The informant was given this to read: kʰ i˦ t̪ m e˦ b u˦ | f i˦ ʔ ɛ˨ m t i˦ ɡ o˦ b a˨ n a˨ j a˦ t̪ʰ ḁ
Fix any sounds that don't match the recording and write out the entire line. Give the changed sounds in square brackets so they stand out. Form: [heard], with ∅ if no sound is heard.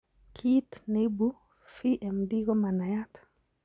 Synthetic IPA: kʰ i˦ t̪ [n] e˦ b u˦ | f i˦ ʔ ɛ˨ m [d] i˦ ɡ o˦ [m] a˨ n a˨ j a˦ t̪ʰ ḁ